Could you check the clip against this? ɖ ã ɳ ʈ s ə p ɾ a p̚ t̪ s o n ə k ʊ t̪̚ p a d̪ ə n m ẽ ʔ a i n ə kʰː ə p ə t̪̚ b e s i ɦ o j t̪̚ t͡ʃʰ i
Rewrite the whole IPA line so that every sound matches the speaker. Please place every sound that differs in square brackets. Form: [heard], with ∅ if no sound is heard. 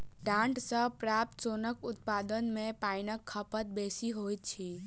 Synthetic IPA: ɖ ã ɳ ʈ s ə p ɾ a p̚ t̪ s o n ə k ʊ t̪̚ p a d̪ ə n m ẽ [p] a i n ə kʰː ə p ə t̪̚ b e s i ɦ o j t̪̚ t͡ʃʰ i